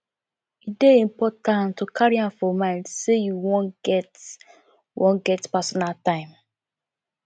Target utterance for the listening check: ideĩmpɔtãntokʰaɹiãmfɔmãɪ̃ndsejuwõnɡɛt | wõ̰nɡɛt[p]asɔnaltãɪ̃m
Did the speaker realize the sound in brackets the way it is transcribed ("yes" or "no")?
yes